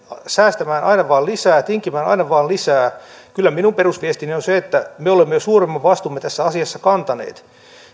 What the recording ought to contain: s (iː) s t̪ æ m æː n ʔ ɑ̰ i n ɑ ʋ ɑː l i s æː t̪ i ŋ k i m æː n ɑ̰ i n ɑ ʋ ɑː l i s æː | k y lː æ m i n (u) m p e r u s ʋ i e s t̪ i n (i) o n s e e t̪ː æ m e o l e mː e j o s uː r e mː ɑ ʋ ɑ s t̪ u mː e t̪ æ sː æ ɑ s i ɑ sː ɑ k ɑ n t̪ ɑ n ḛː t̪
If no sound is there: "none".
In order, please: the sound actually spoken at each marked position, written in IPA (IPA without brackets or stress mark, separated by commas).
æː, u, i